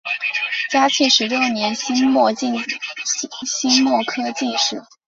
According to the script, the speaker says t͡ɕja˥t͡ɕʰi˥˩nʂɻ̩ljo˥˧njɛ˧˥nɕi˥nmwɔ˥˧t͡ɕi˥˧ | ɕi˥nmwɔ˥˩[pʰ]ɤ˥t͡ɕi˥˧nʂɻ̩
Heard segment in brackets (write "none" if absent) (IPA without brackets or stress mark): kʰ